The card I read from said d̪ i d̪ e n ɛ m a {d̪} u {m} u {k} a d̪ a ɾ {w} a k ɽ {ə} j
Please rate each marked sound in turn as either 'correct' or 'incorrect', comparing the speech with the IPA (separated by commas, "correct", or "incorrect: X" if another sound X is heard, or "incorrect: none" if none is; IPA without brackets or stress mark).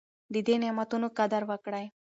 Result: incorrect: t̪, incorrect: n, correct, incorrect: ʋ, incorrect: a